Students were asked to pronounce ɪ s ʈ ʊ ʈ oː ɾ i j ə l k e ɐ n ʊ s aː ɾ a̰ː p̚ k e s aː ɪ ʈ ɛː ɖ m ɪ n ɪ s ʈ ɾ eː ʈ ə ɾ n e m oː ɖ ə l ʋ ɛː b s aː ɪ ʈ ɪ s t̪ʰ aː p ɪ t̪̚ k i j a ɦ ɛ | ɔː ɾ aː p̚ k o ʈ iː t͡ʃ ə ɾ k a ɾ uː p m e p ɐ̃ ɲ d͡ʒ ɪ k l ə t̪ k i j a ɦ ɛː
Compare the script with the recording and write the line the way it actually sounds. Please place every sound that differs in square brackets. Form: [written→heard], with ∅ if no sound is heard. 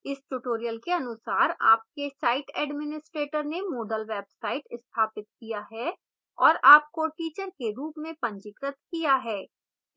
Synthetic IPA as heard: ɪ s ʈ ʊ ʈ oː ɾ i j ə l k e ɐ n ʊ s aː ɾ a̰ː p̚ k e s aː ɪ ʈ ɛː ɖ m ɪ n ɪ s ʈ ɾ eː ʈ ə ɾ n e m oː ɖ ə l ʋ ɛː b s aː ɪ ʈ ɪ s t̪ʰ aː p ɪ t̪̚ k i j a ɦ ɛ | ɔː ɾ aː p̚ k o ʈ iː t͡ʃ ə ɾ k [a→e] ɾ uː p m [e→ẽ] p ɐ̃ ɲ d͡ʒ ɪ k [l→ɾ] ə t̪ k i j a ɦ ɛː